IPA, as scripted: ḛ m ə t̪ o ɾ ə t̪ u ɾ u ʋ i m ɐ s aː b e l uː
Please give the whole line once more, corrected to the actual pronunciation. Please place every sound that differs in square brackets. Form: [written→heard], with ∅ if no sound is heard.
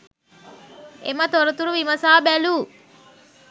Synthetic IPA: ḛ m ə t̪ o ɾ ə t̪ u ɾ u ʋ i m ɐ s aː b [e→æ] l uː